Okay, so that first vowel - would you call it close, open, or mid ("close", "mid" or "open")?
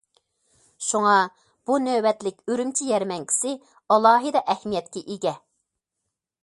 close